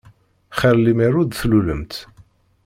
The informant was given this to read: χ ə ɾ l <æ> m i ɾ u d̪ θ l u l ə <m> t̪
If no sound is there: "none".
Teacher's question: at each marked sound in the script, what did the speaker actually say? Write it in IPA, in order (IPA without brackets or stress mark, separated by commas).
i, m